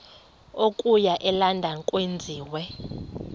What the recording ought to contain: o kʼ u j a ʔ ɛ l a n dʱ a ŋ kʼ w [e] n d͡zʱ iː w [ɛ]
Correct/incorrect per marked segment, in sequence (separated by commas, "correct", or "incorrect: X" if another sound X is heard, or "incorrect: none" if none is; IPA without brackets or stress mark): correct, correct